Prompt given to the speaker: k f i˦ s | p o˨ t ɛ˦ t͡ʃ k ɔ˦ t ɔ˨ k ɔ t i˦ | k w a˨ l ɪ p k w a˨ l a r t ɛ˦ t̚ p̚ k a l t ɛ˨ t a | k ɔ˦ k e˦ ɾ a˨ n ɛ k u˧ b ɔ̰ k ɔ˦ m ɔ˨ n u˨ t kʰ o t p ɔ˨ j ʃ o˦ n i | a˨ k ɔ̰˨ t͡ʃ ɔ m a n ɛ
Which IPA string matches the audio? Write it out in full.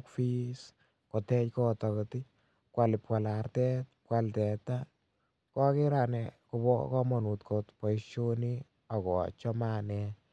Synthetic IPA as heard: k f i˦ s | k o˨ t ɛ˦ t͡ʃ k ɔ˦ t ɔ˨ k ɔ t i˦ | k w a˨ l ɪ p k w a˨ l a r t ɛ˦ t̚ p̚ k a l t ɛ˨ t a | k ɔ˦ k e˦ ɾ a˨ n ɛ k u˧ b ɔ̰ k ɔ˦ m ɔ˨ n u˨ t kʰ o t p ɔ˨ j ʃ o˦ n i | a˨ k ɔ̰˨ t͡ʃ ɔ m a n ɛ